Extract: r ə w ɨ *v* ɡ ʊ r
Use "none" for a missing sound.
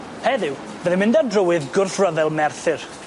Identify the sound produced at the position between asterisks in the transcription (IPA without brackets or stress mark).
ð